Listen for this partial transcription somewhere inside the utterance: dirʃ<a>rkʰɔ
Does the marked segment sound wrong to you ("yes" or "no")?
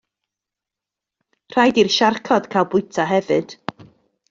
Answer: no